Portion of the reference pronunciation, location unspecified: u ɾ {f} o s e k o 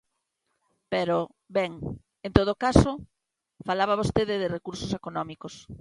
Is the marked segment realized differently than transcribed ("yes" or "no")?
yes